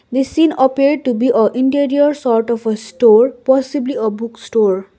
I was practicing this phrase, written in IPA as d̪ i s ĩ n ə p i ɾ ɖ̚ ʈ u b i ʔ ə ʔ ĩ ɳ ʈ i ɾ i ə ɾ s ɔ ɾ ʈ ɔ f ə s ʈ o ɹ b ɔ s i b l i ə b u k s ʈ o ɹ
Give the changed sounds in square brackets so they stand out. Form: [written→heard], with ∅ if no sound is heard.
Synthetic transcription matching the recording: d̪ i s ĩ n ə p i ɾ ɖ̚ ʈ u b i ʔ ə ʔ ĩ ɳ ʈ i ɾ i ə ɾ s ɔ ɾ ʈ ɔ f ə s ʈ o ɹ [b→p] ɔ s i b l i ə b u k s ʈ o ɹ